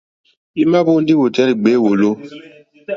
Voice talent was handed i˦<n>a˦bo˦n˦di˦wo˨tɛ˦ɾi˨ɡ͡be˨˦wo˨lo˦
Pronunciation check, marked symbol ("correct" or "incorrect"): incorrect